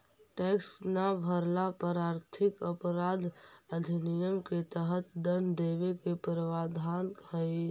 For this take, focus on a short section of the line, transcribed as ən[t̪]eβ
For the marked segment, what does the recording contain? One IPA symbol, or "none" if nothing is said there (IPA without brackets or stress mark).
d̪